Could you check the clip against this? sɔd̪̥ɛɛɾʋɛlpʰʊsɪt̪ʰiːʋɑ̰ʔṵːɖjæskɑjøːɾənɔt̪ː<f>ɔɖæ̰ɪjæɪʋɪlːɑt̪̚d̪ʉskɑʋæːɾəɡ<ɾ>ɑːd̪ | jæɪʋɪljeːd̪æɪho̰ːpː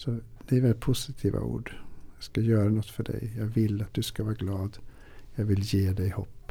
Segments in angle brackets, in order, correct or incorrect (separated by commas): correct, incorrect